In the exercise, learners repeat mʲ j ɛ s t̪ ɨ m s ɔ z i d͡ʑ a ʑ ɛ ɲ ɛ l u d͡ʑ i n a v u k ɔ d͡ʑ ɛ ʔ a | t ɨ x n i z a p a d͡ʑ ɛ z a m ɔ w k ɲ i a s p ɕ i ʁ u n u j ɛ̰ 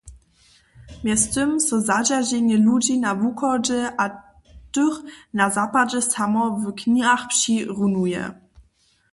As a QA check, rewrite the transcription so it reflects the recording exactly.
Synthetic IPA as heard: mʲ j ɛ s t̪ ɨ m s ɔ z a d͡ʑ a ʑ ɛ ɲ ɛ l u d͡ʑ i n a v u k ɔ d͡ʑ ɛ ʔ a | t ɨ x n a z a p a d͡ʑ ɛ s a m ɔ v k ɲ i a x p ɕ i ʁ u n u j ɛ̰

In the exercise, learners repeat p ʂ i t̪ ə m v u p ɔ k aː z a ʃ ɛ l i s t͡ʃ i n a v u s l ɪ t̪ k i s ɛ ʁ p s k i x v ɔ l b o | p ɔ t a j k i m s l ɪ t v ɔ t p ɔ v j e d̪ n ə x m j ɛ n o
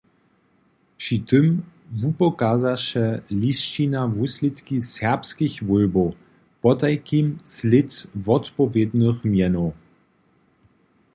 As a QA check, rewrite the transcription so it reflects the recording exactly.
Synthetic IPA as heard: p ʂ i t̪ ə m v u p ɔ k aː z a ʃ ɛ l i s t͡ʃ i n a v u s l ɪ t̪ k i s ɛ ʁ p s k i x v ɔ l b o | p ɔ t a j k i m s l ɪ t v ɔ t p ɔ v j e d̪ n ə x m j ɛ n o

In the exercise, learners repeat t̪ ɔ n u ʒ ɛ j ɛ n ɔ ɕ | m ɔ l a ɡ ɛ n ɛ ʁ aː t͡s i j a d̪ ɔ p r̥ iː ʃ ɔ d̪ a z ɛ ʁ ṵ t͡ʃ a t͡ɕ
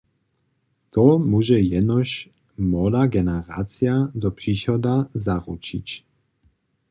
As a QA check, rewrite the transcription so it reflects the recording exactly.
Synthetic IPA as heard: t̪ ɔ m u ʒ ɛ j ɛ n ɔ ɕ | m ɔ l a ɡ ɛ n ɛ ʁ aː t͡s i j a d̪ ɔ p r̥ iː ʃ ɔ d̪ a z a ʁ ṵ t͡ʃ i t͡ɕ

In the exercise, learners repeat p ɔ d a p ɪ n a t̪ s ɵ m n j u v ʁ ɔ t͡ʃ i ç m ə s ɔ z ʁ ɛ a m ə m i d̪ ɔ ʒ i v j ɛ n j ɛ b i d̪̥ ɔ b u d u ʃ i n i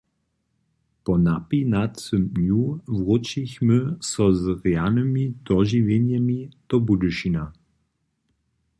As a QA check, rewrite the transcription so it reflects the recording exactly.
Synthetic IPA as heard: p ɔ n a p i n a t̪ s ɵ m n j u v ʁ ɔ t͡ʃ i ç m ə s ɔ z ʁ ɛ a n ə m i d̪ ɔ ʒ i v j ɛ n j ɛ m i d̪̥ ɔ b u d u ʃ i n a

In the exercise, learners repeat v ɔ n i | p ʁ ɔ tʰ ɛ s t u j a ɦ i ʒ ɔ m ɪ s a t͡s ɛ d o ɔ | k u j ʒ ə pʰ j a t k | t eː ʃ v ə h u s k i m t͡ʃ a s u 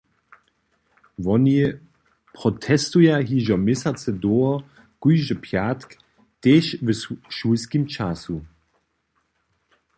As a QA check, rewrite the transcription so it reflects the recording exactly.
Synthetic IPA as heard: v ɔ n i | p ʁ ɔ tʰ ɛ s t u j a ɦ i ʒ ɔ m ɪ s a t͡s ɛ d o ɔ | k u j ʒ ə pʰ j a t k | t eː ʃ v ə ʃ u s k i m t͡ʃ a s u

